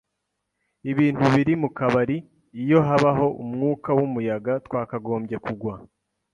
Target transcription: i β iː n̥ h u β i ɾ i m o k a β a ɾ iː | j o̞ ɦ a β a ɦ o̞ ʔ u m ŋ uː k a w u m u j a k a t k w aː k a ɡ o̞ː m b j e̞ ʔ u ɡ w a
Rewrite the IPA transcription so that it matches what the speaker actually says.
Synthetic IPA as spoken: i β iː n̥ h u β i ɾ i m u k a β a ɾ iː | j o̞ ɦ a β a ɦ o̞ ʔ u m ŋ uː k a w u m u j a ɡ a t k w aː k a ɡ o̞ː m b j e̞ k u ɡ w a